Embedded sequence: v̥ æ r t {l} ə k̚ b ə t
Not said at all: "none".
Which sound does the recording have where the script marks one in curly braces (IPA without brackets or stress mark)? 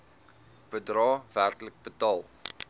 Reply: l